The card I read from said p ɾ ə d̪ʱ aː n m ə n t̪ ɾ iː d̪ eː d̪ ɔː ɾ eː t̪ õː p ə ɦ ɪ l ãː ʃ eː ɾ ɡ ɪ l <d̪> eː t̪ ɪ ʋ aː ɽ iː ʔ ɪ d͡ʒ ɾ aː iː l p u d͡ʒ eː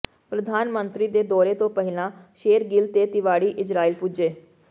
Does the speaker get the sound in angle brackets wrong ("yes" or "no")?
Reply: yes